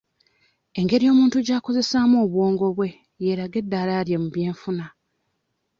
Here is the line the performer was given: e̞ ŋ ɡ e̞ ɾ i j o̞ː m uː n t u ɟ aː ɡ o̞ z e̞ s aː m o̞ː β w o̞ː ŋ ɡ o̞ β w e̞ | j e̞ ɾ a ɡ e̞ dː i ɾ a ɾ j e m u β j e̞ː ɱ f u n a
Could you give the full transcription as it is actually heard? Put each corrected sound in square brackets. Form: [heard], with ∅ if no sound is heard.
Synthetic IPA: e̞ ŋ ɡ e̞ ɾ i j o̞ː m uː n t u ɟ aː [k] o̞ z e̞ s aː m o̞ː β w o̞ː ŋ ɡ o̞ β w e̞ | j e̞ ɾ a ɡ e̞ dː [a] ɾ a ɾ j e m u β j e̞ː ɱ f u n a